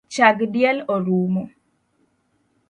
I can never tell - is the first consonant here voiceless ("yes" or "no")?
yes